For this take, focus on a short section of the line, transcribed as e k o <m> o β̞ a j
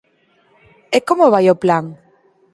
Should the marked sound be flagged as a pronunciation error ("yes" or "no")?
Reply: no